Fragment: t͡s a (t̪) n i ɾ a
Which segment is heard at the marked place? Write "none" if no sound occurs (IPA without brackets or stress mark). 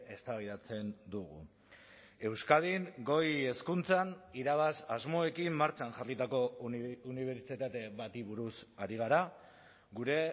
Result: none